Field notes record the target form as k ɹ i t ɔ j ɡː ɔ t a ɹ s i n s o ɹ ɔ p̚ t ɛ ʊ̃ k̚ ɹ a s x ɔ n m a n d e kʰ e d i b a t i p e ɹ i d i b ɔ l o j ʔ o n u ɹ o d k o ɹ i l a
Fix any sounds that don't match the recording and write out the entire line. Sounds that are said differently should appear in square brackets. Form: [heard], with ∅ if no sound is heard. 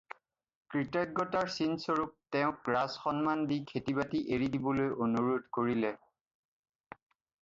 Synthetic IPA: k ɹ i t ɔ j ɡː ɔ t a ɹ s i n s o ɹ [u] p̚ t ɛ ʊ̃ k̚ ɹ a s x ɔ n m a n d [i] kʰ e [t] i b a t i [ʔ] e ɹ i d i b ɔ l o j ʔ o n u ɹ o d k o ɹ i l [ɛ]